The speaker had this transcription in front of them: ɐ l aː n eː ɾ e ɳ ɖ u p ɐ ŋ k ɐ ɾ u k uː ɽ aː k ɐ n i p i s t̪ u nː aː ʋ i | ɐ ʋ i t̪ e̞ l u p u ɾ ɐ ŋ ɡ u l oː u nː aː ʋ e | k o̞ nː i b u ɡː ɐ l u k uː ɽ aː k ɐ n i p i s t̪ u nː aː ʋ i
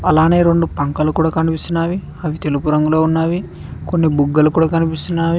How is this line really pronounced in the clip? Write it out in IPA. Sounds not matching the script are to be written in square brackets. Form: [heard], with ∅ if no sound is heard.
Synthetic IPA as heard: ɐ l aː n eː ɾ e ɳ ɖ u p ɐ ŋ k ɐ [l] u k uː ɽ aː k ɐ n i p i s t̪ u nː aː ʋ i | ɐ ʋ i t̪ e̞ l u p u ɾ ɐ ŋ ɡ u l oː u nː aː ʋ [i] | k o̞ nː i b u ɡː ɐ l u k uː ɽ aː k ɐ n i p i s t̪ u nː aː ʋ i

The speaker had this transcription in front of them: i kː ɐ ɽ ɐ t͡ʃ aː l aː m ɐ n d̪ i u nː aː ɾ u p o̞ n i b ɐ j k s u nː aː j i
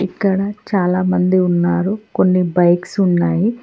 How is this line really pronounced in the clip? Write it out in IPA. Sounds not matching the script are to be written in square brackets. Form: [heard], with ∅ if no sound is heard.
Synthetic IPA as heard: i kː ɐ ɽ ɐ t͡ʃ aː l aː m ɐ n d̪ i u nː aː ɾ u [k] o̞ [nː] i b ɐ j k s u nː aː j i

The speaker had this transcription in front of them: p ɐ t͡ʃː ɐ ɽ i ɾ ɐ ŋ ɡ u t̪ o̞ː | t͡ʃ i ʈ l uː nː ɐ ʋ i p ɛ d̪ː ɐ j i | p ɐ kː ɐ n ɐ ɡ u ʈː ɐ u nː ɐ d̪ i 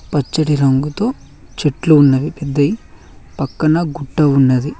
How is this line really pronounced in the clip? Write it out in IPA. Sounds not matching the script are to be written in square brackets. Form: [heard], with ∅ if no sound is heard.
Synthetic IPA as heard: p ɐ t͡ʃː ɐ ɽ i ɾ ɐ ŋ ɡ u t̪ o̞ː | t͡ʃ [e] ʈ l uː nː ɐ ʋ i p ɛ d̪ː ɐ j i | p ɐ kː ɐ n ɐ ɡ u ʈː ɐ u nː ɐ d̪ i

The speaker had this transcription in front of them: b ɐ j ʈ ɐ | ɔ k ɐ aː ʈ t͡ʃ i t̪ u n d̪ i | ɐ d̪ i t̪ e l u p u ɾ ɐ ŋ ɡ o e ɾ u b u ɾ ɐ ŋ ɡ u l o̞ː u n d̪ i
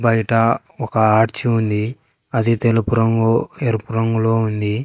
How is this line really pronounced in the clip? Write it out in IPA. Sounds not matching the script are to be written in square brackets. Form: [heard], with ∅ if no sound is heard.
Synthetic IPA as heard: b ɐ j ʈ ɐ | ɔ k ɐ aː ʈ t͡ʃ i [∅] u n d̪ i | ɐ d̪ i t̪ e l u p u ɾ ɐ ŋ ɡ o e ɾ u [p] u ɾ ɐ ŋ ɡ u l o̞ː u n d̪ i

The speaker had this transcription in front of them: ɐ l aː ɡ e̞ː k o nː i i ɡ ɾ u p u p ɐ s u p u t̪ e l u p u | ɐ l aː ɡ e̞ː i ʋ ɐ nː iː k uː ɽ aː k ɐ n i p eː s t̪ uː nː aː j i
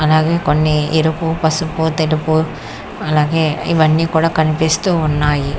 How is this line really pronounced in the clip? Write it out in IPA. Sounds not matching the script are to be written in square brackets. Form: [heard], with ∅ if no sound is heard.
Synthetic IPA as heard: ɐ l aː ɡ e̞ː k o nː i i [∅] ɾ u p u p ɐ s u p u t̪ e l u p u | ɐ l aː ɡ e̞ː i ʋ ɐ nː iː k uː ɽ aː k ɐ n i p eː s t̪ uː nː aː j i

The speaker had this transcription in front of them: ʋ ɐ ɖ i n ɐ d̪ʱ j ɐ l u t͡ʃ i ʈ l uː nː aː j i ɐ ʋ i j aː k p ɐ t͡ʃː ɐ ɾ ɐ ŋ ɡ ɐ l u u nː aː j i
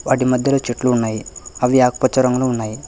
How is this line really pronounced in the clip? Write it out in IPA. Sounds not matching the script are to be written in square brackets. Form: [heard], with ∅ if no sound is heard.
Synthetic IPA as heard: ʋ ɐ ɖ i [m] ɐ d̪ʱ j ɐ l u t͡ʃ i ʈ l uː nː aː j i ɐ ʋ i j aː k p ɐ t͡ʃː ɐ ɾ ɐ ŋ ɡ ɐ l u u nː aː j i

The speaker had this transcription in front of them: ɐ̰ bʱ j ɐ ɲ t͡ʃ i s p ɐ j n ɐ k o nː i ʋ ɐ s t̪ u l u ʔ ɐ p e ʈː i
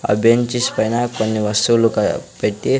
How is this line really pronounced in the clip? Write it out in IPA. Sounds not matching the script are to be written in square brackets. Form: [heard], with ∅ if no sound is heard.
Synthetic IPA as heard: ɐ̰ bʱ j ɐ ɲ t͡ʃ i s p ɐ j n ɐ k o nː i ʋ ɐ s t̪ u l u [k] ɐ p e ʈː i

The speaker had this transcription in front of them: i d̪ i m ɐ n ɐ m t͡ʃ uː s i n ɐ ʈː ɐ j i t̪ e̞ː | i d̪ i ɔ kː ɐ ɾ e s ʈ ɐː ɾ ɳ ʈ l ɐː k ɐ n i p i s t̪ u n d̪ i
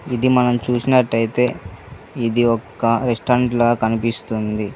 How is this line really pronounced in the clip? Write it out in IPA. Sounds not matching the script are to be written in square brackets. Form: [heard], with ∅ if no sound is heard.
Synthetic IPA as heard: i d̪ i m ɐ n ɐ m t͡ʃ uː s i n ɐ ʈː ɐ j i t̪ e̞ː | i d̪ i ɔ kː ɐ ɾ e s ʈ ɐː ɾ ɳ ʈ l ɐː k ɐ n i p i s t̪ u n d̪ i

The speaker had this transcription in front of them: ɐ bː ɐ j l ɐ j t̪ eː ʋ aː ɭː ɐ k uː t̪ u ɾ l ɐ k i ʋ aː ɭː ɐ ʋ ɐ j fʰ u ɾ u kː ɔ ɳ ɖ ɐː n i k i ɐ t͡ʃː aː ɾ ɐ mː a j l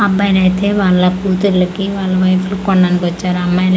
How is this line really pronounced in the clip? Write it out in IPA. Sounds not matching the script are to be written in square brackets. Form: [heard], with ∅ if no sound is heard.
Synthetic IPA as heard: ɐ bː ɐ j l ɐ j t̪ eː ʋ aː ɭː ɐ k uː t̪ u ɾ l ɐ k i ʋ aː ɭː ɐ ʋ ɐ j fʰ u [l] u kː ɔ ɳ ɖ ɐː n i k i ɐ t͡ʃː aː ɾ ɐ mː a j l

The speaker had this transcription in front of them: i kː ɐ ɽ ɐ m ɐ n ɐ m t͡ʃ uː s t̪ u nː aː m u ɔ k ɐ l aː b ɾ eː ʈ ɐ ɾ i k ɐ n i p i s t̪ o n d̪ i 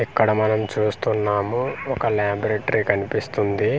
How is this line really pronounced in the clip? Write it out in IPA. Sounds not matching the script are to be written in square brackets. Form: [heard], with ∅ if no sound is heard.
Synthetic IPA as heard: i kː ɐ ɽ ɐ m ɐ n ɐ m t͡ʃ uː s t̪ u nː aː m u ɔ k ɐ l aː b ɾ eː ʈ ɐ ɾ i k ɐ n i p i s t̪ [u] n d̪ i

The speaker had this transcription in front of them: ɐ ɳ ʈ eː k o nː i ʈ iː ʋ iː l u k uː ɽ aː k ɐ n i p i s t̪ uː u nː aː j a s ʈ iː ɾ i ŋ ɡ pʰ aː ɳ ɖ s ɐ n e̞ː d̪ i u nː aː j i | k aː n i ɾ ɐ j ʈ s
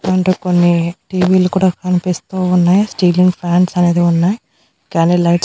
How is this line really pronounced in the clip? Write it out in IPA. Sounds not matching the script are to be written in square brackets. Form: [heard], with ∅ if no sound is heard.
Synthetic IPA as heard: ɐ ɳ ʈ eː k o nː i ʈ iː ʋ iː l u k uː ɽ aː k ɐ n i p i s t̪ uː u nː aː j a s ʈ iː [l] i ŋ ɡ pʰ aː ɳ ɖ s ɐ n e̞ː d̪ i u nː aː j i | k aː n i [l] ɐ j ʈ s

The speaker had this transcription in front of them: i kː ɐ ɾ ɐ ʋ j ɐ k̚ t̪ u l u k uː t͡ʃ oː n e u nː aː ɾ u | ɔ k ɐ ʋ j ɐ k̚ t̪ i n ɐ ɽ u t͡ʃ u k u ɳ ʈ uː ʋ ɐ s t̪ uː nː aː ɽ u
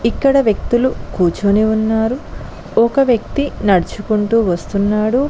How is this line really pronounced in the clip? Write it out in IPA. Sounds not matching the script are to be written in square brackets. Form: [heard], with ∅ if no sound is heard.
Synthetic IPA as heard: i kː ɐ [ɽ] ɐ ʋ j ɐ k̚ t̪ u l u k uː t͡ʃ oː n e u nː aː ɾ u | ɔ k ɐ ʋ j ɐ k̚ t̪ i n ɐ ɽ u t͡ʃ u k u ɳ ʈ uː ʋ ɐ s t̪ [u] nː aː ɽ u

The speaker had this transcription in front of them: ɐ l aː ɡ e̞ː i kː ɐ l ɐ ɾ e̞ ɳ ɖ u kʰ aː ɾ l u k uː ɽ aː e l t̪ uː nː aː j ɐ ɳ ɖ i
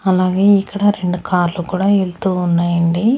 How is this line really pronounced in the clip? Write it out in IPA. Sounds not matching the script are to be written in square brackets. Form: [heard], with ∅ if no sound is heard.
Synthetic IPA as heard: ɐ l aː ɡ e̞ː i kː ɐ [ɽ] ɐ ɾ e̞ ɳ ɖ u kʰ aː ɾ l u k uː ɽ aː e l t̪ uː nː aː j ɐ ɳ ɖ i

